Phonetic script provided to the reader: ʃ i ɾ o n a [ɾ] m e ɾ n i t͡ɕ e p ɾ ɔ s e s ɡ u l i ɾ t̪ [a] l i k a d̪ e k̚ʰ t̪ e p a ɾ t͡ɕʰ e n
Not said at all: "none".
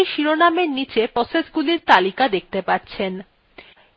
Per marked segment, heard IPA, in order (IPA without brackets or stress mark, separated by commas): none, a